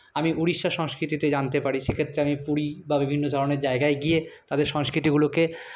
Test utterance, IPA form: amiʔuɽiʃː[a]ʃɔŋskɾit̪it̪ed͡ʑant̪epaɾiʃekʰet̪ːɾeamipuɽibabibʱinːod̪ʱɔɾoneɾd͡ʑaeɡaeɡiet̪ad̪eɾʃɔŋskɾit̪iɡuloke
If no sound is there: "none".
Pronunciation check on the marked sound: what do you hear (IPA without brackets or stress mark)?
a